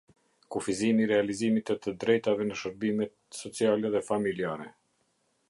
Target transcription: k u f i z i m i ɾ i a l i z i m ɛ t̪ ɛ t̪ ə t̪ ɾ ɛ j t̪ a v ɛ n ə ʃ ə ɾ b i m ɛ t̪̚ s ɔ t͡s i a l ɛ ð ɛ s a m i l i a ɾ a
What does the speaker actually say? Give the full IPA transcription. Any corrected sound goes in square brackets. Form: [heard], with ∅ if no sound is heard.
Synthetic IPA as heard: k u f i z i m i ɾ [ɛ] a l i z i m [i] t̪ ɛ t̪ ə [d̪] ɾ ɛ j t̪ a v ɛ n ə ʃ ə ɾ b i m ɛ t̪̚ s ɔ t͡s i a l ɛ ð ɛ [f] a m i l i a ɾ [ɛ]